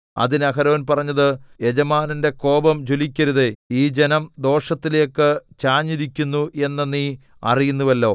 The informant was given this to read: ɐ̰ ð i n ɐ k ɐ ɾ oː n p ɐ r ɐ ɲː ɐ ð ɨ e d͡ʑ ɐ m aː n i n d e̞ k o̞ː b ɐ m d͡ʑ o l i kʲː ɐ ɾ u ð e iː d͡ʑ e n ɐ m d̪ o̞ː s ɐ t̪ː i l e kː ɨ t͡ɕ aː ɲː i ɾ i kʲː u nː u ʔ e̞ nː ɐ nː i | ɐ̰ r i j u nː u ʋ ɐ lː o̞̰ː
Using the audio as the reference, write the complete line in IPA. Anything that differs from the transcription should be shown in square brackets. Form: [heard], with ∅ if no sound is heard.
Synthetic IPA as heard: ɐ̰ ð i n ɐ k ɐ ɾ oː n p ɐ r ɐ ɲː ɐ ð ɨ e d͡ʑ ɐ m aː n i n d e̞ k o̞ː b ɐ m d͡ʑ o l i kʲː ɐ ɾ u ð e iː d͡ʑ e n ɐ m d̪ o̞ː [ʂ] ɐ t̪ː i l e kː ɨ t͡ɕ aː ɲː i ɾ i kʲː u nː u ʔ e̞ nː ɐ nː i | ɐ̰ r i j u nː u ʋ ɐ lː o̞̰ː